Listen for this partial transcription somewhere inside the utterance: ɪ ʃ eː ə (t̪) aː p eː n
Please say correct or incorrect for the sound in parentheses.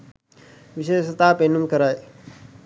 correct